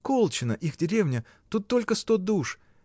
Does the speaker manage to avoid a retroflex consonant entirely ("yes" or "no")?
no